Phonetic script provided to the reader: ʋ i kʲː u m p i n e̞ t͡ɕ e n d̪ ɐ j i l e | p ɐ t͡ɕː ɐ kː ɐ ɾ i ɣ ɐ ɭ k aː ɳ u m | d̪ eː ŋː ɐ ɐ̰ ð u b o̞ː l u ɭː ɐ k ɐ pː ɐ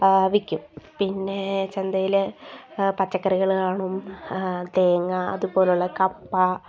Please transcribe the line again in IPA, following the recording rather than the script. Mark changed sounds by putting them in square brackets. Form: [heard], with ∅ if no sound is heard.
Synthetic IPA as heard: ʋ i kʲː u m p i [nː] e̞ t͡ɕ e n d̪ ɐ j i l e | p ɐ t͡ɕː ɐ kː ɐ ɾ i ɣ ɐ ɭ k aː ɳ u m | d̪ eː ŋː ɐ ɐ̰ ð u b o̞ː l u ɭː ɐ k ɐ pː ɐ